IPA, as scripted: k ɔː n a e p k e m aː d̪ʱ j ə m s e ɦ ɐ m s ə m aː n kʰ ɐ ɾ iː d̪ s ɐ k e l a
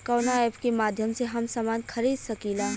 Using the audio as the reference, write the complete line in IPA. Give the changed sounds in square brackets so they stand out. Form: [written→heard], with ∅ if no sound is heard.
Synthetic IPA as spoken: k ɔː n a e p k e m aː d̪ʱ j ə m s e ɦ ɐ m s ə m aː n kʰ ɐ ɾ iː d̪ s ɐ k [e→i] l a